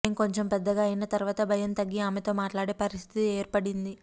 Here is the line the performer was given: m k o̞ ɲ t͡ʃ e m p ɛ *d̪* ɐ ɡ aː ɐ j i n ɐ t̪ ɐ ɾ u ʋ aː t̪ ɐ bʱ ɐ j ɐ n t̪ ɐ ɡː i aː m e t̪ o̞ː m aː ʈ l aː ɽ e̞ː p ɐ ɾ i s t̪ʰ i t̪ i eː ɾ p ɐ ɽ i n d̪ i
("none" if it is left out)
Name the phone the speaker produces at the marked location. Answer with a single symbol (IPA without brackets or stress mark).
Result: d̪ː